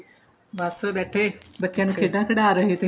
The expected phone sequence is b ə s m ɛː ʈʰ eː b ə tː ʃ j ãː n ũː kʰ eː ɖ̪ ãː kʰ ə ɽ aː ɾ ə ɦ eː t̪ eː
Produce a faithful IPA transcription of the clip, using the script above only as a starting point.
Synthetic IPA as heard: b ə s b ɛː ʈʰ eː b ə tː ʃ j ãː n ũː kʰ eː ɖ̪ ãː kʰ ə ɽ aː ɾ ə ɦ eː t̪ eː